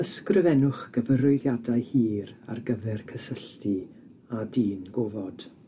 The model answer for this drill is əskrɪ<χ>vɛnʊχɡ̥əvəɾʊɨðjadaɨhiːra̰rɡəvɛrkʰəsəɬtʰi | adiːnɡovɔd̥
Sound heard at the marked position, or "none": none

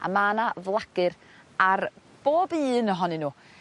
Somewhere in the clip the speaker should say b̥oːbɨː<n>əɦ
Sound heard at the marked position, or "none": n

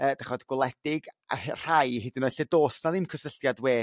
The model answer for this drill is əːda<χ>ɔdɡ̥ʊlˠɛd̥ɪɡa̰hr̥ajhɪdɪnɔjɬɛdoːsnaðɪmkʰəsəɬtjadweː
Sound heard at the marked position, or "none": χ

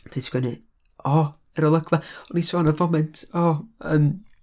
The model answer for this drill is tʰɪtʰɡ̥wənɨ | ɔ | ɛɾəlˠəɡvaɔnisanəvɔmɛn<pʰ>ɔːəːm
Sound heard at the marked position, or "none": tʰ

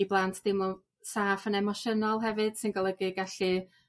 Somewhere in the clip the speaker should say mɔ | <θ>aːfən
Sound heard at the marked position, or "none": s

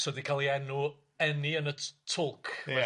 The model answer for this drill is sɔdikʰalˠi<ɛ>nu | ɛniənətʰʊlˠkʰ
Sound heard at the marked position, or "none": ɛ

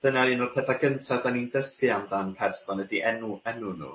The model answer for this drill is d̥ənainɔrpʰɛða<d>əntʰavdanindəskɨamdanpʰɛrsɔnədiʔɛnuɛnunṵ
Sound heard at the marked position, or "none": ɡ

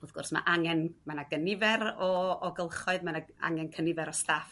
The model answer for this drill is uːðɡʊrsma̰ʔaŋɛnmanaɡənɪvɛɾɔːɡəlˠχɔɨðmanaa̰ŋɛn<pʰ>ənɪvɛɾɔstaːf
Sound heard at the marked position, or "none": kʰ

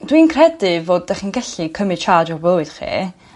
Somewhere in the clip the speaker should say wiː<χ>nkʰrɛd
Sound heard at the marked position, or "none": none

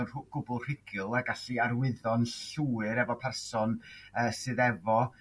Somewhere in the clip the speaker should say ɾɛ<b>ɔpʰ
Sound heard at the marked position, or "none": v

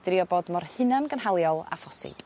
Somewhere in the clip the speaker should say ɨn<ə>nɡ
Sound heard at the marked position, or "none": a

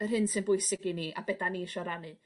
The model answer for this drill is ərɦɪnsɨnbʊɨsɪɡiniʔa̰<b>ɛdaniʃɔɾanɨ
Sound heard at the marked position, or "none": b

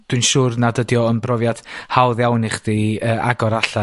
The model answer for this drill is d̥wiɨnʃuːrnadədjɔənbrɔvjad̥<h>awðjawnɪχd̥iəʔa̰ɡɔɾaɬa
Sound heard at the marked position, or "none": h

